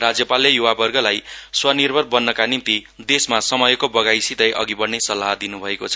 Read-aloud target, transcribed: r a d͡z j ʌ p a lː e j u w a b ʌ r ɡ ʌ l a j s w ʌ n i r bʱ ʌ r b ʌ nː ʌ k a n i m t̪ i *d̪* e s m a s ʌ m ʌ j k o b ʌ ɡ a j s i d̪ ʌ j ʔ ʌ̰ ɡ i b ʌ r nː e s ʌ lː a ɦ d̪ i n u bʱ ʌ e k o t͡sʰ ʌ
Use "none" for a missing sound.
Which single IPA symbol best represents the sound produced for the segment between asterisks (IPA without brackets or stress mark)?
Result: d̪